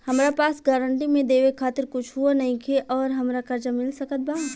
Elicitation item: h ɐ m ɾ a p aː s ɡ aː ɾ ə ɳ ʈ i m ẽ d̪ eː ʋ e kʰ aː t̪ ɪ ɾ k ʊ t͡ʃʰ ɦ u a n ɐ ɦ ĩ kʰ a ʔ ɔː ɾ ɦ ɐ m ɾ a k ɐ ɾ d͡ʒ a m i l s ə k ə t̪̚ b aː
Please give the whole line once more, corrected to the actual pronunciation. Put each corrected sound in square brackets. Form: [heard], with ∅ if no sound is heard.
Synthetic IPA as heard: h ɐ m ɾ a p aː s ɡ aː ɾ ə ɳ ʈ i m ẽ d̪ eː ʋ e kʰ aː t̪ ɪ ɾ k ʊ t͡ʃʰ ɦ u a n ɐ ɦ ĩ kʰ [e] ʔ ɔː ɾ ɦ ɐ m ɾ a k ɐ ɾ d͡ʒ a m [ɪ] l s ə k ə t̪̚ b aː